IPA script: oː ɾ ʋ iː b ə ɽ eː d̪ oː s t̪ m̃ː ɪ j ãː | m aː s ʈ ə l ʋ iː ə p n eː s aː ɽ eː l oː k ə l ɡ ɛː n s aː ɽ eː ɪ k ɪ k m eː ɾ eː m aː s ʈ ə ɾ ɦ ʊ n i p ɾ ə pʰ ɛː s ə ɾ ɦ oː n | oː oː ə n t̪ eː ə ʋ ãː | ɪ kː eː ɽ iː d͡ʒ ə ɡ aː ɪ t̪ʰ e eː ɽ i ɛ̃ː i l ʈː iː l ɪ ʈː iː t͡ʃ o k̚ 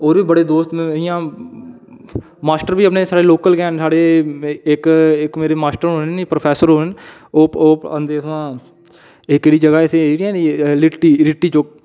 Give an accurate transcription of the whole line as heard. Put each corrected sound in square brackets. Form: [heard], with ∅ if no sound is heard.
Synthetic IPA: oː ɾ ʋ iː b ə ɽ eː d̪ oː s t̪ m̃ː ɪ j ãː | m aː s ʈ ə [ɾ] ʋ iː ə p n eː s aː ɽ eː l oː k ə l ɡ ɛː n s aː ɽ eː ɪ k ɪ k m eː ɾ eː m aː s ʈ ə ɾ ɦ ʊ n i p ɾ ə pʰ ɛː s ə ɾ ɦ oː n | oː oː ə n [d̪] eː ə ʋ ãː | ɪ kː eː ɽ iː d͡ʒ ə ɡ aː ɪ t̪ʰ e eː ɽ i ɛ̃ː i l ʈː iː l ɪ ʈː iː t͡ʃ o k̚